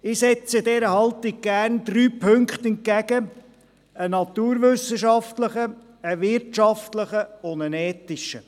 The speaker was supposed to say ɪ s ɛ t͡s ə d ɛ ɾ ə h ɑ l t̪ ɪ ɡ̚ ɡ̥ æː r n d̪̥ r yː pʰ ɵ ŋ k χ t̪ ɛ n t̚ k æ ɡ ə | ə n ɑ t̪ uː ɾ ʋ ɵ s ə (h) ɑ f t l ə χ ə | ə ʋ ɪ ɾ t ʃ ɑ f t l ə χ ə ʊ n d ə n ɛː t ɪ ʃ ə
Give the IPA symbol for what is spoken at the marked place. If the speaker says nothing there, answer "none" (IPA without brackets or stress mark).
ʃ